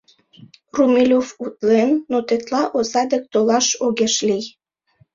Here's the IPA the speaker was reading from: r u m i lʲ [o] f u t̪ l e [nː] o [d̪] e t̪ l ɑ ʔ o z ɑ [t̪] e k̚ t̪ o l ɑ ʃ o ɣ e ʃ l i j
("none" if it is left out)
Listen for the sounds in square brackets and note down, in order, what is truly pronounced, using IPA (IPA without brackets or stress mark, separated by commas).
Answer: o, nː, t̪, d̪